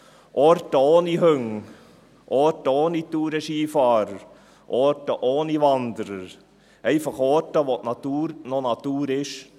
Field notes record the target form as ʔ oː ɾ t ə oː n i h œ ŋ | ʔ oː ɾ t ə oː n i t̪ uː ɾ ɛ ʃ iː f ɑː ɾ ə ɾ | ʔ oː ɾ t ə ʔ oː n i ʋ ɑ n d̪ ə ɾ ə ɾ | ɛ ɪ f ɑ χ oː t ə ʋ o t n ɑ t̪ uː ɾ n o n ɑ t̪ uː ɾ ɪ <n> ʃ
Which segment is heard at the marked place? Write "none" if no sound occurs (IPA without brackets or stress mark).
none